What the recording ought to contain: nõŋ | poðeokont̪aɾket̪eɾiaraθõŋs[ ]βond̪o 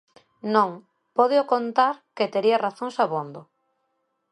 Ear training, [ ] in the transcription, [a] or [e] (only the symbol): a